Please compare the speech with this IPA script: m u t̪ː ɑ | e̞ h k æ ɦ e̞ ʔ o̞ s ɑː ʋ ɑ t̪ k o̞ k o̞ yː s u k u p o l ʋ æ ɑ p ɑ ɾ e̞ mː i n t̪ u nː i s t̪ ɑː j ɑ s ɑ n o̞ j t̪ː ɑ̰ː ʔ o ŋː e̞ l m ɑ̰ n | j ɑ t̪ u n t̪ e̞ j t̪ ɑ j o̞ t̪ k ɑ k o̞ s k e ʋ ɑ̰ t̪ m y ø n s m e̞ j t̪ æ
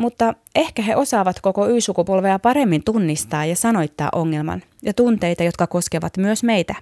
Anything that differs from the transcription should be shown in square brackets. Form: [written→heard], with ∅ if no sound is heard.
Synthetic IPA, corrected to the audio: m u t̪ː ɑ | e̞ h k æ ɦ e̞ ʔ o̞ s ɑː ʋ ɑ t̪ k o̞ k o̞ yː s u k u p o l ʋ [æ→e] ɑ p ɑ ɾ e̞ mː i n t̪ u nː i s t̪ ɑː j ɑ s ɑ n o̞ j t̪ː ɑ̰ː ʔ o ŋː e̞ l m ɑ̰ n | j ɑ t̪ u n t̪ e̞ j t̪ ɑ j o̞ t̪ k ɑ k o̞ s k e ʋ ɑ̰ t̪ m y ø [n→∅] s m e̞ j t̪ æ